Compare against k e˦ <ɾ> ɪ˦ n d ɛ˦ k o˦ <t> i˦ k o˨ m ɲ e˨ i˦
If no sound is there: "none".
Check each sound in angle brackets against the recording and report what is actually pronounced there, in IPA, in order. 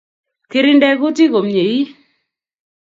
ɾ, t

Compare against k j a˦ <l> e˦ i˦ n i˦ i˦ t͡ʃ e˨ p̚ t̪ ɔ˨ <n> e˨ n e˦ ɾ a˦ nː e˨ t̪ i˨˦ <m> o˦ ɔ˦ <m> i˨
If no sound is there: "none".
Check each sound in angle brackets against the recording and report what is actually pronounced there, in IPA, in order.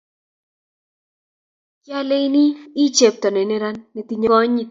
l, n, ɲ, ɲ

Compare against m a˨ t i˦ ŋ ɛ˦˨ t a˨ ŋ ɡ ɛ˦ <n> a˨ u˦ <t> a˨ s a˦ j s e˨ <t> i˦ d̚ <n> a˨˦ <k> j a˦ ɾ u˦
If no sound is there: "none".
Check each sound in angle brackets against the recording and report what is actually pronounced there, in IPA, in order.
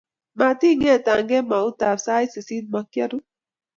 m, t, s, m, k

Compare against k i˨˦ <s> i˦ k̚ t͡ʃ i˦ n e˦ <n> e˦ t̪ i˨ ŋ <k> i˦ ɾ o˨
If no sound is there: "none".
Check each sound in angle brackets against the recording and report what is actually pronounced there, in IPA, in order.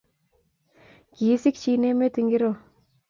s, m, ɡ

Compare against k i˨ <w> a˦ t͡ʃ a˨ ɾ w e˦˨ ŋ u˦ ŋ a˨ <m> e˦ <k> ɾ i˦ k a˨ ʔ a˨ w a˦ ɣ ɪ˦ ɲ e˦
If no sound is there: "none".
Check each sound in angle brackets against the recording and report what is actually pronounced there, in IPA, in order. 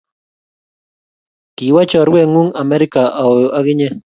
w, m, none

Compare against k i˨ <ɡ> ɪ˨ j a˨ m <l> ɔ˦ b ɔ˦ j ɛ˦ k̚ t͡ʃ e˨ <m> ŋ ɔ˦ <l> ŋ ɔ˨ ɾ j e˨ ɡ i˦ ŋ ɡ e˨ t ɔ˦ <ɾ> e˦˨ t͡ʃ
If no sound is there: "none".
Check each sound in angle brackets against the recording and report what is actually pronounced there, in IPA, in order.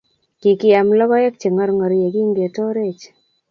k, l, none, ɾ, ɾ

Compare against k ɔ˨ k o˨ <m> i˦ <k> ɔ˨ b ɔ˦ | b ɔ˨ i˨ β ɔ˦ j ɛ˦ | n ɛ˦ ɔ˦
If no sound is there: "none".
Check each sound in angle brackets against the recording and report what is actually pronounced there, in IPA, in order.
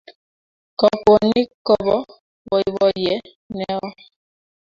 n, k

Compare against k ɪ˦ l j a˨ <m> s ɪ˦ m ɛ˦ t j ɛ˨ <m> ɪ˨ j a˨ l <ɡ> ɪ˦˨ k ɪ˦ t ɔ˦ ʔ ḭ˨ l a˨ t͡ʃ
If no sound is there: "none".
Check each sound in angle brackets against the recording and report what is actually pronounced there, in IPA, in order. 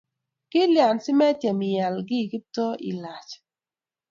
n, m, ɡ

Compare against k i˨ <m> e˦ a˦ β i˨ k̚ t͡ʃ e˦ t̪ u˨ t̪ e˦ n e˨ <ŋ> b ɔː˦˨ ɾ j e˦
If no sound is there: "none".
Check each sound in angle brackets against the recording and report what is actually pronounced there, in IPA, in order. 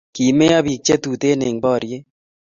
m, ŋ

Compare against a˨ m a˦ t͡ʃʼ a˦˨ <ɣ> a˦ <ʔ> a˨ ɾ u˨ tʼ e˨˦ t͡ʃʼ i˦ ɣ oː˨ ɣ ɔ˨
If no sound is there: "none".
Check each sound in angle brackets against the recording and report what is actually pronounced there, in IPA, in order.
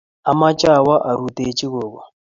w, ʔ

